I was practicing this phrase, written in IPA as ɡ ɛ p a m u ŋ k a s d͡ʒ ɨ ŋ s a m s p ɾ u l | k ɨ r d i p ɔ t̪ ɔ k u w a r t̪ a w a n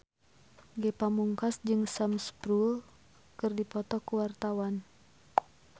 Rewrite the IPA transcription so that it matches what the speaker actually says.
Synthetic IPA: ɡ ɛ p a m u ŋ k a s d͡ʒ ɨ ŋ s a m s p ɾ u l | k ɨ r d i p ɔ t̪ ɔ k u w a r t̪ a w a n